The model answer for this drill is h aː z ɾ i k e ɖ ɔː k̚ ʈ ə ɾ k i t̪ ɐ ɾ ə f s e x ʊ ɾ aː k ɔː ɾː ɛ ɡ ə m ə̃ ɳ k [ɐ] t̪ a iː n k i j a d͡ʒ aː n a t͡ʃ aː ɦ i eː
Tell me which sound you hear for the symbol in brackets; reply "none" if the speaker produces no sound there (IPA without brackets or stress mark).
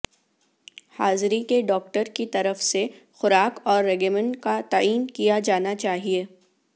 a